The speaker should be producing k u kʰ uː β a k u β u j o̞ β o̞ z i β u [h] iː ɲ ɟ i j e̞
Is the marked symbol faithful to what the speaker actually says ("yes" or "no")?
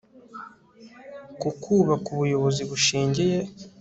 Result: no